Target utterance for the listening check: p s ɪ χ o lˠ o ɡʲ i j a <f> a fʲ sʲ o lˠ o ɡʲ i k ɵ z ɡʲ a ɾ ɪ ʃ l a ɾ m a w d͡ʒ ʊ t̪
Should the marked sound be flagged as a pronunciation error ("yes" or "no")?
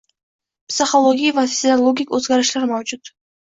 yes